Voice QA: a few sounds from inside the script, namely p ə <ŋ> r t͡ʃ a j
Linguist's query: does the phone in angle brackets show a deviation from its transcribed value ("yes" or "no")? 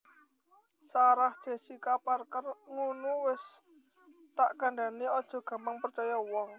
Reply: yes